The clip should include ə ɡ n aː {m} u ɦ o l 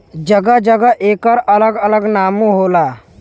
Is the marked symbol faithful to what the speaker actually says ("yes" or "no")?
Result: yes